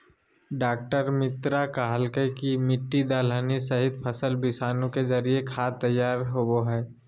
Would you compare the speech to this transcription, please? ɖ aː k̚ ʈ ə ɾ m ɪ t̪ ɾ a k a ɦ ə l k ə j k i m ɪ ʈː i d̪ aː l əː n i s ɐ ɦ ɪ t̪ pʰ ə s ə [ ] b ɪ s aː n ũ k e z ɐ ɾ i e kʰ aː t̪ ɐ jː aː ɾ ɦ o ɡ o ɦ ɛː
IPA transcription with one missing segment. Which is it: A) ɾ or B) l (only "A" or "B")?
B